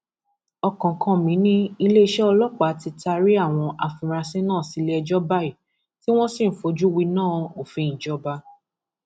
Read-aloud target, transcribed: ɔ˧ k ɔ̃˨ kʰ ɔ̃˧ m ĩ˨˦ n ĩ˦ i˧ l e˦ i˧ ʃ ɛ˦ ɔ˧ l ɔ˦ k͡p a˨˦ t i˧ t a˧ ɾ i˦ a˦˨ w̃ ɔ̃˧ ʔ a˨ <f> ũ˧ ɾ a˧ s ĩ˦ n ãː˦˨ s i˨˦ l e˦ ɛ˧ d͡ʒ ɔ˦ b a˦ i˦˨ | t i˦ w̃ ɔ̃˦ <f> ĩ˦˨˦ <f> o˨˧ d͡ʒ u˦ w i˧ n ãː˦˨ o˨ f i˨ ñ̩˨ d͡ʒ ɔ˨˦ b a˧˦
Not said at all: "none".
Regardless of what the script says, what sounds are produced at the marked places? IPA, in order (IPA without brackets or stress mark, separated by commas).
f, s, f